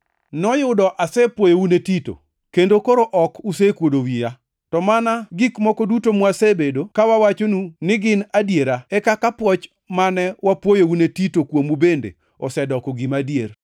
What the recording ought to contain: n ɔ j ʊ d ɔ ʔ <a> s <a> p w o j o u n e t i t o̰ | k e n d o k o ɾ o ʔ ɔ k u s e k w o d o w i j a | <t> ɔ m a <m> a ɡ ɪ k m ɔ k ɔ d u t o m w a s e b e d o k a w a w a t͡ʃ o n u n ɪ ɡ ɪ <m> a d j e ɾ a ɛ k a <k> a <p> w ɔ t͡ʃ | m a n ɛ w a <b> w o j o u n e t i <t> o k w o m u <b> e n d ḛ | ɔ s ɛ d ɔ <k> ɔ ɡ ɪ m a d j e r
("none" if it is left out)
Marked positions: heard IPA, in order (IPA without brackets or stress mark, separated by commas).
a, ɛ, t, n, n, k, p, p, t, b, k